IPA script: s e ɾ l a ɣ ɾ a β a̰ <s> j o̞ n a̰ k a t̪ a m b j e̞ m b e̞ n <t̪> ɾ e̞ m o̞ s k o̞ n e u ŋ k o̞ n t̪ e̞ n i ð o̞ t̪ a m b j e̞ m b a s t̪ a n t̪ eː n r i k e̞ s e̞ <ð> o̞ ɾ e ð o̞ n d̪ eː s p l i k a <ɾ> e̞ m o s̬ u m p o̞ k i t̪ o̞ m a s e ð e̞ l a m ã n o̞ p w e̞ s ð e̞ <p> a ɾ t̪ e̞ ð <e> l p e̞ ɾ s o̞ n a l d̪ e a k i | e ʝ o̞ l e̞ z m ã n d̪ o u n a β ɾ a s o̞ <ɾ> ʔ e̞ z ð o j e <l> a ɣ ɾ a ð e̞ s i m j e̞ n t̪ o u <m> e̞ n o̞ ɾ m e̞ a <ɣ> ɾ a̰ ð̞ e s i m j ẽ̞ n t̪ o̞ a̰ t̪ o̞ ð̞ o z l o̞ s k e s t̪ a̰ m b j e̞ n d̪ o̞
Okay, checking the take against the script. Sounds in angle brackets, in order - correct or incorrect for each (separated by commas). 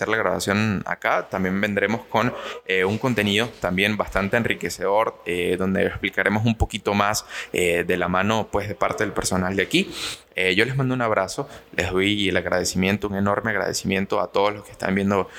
correct, incorrect, correct, correct, correct, correct, incorrect, correct, incorrect, correct